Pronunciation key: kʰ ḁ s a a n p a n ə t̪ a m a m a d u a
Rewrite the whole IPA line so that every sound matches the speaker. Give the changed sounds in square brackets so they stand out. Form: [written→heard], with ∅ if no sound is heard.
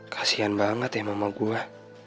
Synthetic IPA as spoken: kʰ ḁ s [a→i] a n [p→b] a [n→ŋ] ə t̪ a m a m a [d→ɡ] u a